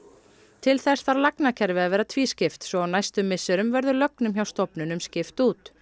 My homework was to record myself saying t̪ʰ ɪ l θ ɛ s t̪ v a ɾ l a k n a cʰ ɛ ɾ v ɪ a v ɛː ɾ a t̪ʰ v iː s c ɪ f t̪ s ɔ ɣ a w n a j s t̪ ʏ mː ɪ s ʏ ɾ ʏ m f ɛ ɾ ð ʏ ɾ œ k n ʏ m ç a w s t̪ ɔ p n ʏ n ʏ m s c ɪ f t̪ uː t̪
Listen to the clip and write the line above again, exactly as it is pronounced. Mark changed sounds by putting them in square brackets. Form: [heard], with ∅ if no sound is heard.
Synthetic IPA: t̪ʰ ɪ l θ ɛ s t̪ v a ɾ l a k n a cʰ ɛ ɾ v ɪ a v ɛː ɾ a t̪ʰ v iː s c ɪ f t̪ s ɔ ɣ a w n a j s t̪ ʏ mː ɪ s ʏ ɾ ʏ m [v] ɛ ɾ ð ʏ [l] œ k n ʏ m ç a w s t̪ ɔ p n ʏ n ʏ m s c ɪ f t̪ uː t̪